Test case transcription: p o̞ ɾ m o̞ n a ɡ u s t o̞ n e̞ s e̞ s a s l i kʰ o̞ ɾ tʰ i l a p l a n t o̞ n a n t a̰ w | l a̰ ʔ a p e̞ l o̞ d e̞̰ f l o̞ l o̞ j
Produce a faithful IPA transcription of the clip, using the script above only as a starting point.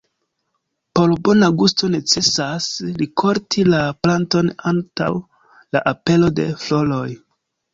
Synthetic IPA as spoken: p o̞ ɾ b o̞ n a ɡ u s t o̞ n e̞ t͡s e̞ s a s l i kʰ o̞ ɾ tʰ i l a p l a n t o̞ n a n t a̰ w | l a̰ ʔ a p e̞ l o̞ d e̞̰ f l o̞ l o̞ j